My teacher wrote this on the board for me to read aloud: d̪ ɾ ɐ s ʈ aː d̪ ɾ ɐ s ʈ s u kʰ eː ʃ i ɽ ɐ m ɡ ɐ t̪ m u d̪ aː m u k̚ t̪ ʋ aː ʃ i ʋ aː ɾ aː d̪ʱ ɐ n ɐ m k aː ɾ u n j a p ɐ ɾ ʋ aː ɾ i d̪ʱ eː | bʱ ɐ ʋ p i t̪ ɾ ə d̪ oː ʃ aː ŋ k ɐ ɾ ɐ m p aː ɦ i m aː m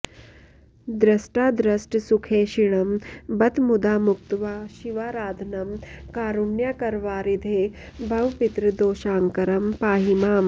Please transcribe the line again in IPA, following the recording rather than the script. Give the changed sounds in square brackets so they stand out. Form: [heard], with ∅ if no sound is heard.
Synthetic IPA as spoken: d̪ ɾ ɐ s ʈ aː d̪ ɾ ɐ s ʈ s u kʰ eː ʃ i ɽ ɐ m [b] ɐ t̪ m u d̪ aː m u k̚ t̪ ʋ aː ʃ i ʋ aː ɾ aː d̪ʱ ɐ n ɐ m k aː ɾ u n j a [k] ɐ ɾ ʋ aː ɾ i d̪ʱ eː | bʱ ɐ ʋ p i t̪ ɾ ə d̪ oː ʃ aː ŋ k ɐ ɾ ɐ m p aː ɦ i m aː m